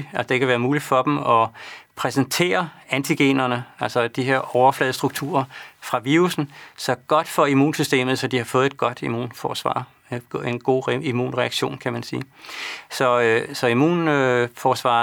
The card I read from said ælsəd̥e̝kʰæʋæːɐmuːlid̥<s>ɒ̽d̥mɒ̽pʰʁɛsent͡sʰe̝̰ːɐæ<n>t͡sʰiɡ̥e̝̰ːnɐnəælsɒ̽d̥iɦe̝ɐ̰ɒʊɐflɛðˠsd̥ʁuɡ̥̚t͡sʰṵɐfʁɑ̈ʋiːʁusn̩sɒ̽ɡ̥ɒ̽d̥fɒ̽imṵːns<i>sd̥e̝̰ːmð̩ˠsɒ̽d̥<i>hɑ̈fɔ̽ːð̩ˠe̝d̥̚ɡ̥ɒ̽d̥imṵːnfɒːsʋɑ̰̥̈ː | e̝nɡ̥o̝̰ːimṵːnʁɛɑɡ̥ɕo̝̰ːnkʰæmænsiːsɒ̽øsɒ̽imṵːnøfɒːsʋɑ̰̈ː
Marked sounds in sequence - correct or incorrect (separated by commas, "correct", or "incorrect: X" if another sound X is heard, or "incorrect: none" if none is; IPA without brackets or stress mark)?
incorrect: f, correct, incorrect: y, correct